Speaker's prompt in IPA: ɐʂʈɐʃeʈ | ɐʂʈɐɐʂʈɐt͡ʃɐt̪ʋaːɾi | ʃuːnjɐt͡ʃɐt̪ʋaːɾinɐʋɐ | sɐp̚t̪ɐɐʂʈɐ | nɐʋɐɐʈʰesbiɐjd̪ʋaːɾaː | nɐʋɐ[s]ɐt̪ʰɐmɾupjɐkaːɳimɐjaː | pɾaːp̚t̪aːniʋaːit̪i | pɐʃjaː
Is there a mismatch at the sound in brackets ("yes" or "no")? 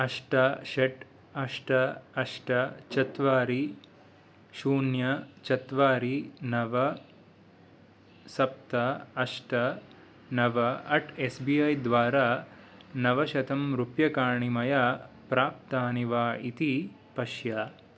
yes